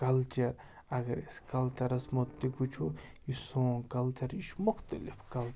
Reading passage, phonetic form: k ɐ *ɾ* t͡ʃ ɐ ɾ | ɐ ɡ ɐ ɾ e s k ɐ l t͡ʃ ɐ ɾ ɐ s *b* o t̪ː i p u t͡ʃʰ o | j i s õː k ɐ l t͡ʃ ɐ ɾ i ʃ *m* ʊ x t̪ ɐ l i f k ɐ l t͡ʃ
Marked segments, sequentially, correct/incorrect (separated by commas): incorrect, incorrect, correct